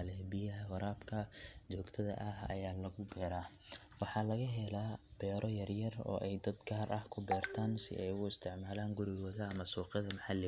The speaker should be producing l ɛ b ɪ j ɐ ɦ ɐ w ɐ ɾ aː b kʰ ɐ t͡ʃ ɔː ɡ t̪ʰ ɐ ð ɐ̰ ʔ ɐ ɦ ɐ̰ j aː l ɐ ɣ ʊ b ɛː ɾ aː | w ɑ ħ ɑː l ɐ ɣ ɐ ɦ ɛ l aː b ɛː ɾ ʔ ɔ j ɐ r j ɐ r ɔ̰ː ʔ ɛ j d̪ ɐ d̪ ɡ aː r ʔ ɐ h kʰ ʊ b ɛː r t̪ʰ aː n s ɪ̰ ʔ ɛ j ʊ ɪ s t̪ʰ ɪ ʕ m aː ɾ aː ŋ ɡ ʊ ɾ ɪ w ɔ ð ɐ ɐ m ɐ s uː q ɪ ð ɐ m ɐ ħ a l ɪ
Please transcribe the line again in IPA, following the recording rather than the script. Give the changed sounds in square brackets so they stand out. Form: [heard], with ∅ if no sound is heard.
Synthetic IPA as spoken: l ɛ b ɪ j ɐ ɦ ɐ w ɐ ɾ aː b kʰ ɐ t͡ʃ ɔː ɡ t̪ʰ ɐ ð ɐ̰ ʔ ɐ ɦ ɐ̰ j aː l ɐ ɣ ʊ b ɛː ɾ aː | w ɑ ħ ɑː l ɐ ɣ ɐ ɦ ɛ l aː b ɛː ɾ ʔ ɔ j ɐ r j ɐ r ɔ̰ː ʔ ɛ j d̪ ɐ d̪ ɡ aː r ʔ ɐ h kʰ ʊ b ɛː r t̪ʰ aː n s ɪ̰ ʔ ɛ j ʊ ɪ s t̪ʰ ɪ ʕ m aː [l] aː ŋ ɡ ʊ ɾ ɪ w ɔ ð ɐ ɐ m ɐ s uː q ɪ ð ɐ m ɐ ħ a l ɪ